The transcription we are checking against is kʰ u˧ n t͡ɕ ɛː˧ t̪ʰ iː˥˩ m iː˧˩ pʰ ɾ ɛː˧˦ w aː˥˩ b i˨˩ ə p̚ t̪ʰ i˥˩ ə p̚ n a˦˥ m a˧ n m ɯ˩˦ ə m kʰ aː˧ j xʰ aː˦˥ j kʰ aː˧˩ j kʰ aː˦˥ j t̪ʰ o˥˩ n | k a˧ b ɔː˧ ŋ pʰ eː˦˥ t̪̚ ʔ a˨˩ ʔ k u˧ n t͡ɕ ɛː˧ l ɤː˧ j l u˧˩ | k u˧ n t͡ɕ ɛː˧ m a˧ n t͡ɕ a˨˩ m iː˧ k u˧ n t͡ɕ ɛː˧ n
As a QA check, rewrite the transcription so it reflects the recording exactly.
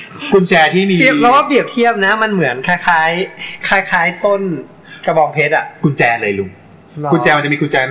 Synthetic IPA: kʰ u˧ n t͡ɕ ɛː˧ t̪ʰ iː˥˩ m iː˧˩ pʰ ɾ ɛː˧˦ w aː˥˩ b i˨˩ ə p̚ t̪ʰ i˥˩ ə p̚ n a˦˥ m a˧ n m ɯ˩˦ ə n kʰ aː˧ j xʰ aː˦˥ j kʰ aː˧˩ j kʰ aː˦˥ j t̪ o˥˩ n | k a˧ b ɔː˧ ŋ pʰ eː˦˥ t̪̚ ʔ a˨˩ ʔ k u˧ n t͡ɕ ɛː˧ l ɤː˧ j l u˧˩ | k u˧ n t͡ɕ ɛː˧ m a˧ n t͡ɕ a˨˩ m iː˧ k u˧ n t͡ɕ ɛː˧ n